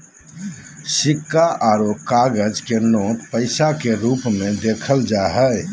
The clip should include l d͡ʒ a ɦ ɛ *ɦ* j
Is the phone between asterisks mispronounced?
yes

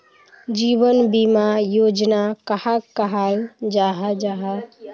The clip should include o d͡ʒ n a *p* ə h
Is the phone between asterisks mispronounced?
yes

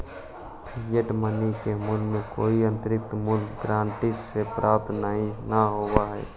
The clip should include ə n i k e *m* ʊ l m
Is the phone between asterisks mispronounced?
no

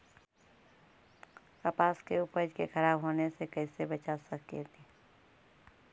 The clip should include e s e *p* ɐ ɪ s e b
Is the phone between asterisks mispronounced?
yes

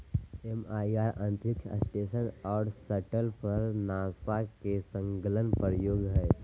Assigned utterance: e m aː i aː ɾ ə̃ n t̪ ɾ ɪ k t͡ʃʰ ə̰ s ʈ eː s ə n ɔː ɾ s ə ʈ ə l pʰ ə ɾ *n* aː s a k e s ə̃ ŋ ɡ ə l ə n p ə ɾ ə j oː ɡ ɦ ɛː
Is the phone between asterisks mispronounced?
no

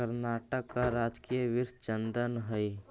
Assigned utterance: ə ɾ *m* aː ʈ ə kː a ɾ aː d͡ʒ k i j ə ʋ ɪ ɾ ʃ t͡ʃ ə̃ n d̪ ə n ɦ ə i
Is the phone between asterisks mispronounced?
yes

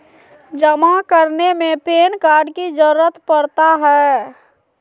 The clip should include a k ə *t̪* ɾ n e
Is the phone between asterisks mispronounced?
yes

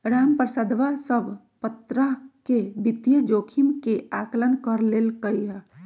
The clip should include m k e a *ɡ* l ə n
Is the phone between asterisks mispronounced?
yes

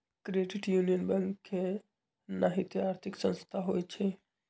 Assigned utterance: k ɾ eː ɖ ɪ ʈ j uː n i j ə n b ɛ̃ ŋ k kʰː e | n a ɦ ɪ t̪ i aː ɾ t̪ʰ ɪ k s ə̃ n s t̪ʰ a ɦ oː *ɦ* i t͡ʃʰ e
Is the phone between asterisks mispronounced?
yes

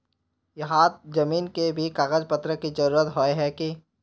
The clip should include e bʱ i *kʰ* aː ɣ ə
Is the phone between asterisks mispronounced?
yes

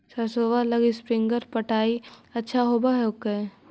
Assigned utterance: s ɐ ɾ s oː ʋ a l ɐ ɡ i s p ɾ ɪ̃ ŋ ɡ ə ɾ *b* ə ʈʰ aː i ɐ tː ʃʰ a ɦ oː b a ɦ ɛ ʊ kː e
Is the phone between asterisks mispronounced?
yes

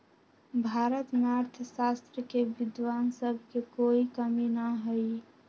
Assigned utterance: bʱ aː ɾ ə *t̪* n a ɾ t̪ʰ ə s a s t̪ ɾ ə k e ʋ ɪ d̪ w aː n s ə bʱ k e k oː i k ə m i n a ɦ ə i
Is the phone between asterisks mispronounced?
no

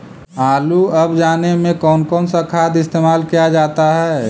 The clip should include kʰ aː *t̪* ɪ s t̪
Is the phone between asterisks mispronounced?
yes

